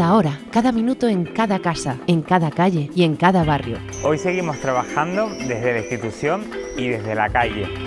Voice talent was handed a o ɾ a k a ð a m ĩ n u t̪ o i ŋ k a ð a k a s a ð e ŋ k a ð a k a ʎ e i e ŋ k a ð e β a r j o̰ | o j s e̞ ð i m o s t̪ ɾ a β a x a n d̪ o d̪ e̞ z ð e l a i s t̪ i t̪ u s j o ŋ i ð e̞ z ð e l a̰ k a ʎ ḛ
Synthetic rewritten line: a o ɾ a k a ð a m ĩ n u t̪ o e ŋ k a ð a k a s a e ŋ k a ð a k a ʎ e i e ŋ k a ð a β a r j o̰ | o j s e̞ ɣ i m o s t̪ ɾ a β a x a n d̪ o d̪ e̞ z ð e l a i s t̪ i t̪ u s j o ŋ i ð e̞ z ð e l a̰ k a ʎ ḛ